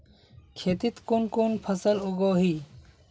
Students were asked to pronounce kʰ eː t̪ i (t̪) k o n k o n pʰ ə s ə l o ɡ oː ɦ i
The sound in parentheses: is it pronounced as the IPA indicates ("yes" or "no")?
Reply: yes